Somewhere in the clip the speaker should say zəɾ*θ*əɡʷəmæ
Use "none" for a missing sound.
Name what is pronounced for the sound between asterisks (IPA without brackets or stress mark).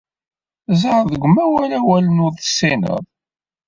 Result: ð